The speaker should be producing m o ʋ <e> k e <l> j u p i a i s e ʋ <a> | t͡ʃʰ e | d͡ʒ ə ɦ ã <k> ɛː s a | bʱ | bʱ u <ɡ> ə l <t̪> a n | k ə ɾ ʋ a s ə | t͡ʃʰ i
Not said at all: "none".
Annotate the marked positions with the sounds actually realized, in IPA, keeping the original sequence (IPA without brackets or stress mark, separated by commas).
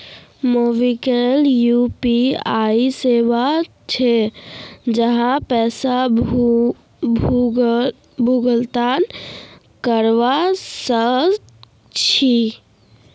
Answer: i, l, a, p, ɡ, t̪